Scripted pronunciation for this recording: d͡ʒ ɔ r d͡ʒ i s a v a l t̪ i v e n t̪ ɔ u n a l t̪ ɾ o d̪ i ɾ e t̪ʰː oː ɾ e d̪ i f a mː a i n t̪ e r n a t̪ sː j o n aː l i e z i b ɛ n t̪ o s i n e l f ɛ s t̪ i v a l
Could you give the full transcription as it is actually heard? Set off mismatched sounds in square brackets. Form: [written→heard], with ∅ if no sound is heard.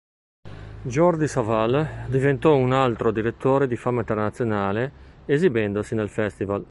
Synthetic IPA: d͡ʒ ɔ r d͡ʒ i s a v a l [t̪→d̪] i v e n t̪ ɔ u n a l t̪ ɾ o d̪ i ɾ e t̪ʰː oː ɾ e d̪ i f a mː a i n t̪ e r n a t̪ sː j o n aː l [i→e] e z i b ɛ n [t̪→d̪] o s i n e l f ɛ s t̪ i v a l

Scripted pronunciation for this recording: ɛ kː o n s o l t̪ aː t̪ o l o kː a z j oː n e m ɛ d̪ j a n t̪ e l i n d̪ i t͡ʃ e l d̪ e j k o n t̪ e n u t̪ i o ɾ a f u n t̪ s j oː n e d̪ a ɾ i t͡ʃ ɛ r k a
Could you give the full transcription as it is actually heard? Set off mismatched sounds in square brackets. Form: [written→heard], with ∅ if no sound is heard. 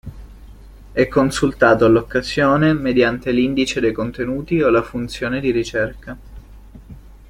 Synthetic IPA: ɛ kː o n s [o→u] l t̪ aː t̪ o l o kː a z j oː n e m [ɛ→e] d̪ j a n t̪ e l i n d̪ i t͡ʃ e [l→∅] d̪ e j k o n t̪ e n [u→uː] t̪ i o [ɾ→l] a f u n t̪ s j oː n e d̪ [a→i] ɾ i t͡ʃ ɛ r k a

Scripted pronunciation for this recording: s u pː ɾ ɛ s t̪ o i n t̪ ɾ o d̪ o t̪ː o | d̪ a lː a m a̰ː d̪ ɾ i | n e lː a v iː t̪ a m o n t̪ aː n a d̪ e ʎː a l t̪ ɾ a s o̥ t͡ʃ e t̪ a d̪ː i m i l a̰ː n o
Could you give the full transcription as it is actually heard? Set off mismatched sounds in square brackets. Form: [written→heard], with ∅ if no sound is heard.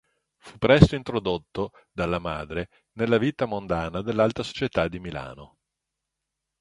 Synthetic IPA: [s→f] u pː ɾ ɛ s t̪ o i n t̪ ɾ o d̪ o t̪ː o | d̪ a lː a m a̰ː d̪ ɾ [i→e] | n e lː a v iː t̪ a m o n [t̪→d̪] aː n a d̪ e [ʎː→lː] a l t̪ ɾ a s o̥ t͡ʃ e t̪ a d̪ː i m i l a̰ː n o

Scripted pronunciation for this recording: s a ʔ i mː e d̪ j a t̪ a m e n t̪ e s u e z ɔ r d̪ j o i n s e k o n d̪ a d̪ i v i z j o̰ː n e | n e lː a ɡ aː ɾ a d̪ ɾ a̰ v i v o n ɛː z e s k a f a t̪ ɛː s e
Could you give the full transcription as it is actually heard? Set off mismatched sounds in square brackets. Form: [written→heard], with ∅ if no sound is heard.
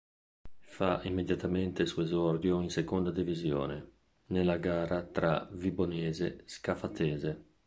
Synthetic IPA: [s→f] a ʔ i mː e d̪ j a t̪ a m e n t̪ e s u e z ɔ r d̪ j o i n s e k o n d̪ a d̪ i v i z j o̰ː n e | n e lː a ɡ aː ɾ a [d̪→t̪] ɾ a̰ v i [v→b] o n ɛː z e s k a f a t̪ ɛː [s→z] e

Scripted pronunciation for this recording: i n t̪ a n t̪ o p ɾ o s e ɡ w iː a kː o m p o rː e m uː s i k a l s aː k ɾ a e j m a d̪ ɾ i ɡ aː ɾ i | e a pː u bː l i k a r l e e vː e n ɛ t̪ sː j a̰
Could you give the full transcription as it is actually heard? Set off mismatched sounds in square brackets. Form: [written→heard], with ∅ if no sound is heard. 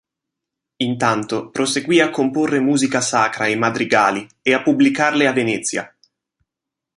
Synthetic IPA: i n t̪ a n t̪ o p ɾ o s e ɡ w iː a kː o m p o rː e m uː [s→z] i k a [l→∅] s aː k ɾ a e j m a d̪ ɾ i ɡ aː [ɾ→l] i | e a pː u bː l i k a r l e [e→a] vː e n ɛ t̪ sː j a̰

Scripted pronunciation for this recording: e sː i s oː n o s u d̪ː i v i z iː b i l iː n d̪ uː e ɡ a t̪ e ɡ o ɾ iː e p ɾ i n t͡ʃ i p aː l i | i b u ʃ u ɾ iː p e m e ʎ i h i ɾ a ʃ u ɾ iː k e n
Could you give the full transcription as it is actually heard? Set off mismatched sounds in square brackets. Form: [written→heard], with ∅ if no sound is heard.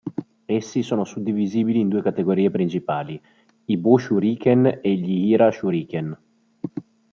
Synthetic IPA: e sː i s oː n o s u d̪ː i v i z iː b i l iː n d̪ uː e [ɡ→k] a t̪ e ɡ o ɾ iː e p ɾ i n t͡ʃ i p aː l i | i b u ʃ u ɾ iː [p→k] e [m→n] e ʎ i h i ɾ a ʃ u ɾ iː k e n

